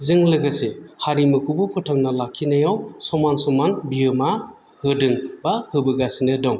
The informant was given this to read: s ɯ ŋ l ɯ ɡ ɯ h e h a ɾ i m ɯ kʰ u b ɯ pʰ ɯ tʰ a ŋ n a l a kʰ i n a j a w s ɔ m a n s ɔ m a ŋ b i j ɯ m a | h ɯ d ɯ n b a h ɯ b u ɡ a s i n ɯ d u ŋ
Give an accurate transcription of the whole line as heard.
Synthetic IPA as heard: z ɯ ŋ l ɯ ɡ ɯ s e h a ɾ i m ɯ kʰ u b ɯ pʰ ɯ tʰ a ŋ n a l a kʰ i n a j a w s ɔ m a n s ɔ m a n b i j ɯ m a | h ɯ d ɯ ŋ b a h ɯ b ɯ ɡ a s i n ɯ d ɔ ŋ